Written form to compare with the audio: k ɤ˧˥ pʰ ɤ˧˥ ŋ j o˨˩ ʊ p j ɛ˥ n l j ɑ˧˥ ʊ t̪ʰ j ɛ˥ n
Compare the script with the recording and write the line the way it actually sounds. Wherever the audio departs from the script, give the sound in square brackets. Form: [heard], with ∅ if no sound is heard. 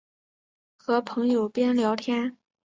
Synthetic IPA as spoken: [x] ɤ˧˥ pʰ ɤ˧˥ ŋ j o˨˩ ʊ p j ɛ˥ n l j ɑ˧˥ ʊ t̪ʰ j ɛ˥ n